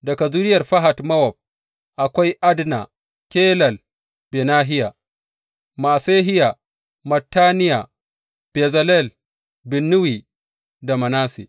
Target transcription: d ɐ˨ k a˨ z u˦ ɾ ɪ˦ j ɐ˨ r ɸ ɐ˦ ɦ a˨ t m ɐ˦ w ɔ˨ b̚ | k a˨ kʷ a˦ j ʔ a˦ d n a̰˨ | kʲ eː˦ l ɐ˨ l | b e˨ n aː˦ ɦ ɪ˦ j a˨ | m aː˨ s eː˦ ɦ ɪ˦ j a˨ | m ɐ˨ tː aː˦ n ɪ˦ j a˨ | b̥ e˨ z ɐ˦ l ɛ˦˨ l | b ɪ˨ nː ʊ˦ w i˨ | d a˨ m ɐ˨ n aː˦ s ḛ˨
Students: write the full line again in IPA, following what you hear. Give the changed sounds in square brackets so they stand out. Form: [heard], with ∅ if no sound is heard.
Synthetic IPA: d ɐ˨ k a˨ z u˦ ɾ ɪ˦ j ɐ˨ r ɸ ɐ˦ ɦ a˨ t m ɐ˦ w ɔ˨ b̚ | [ʔ] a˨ kʷ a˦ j ʔ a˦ d n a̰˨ | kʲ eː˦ l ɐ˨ l | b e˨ n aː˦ ɦ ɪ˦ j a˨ | m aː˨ s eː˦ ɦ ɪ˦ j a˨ | m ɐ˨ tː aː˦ n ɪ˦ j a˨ | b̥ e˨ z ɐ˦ l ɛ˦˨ l | b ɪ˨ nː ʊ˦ w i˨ | d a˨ m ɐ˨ n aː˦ s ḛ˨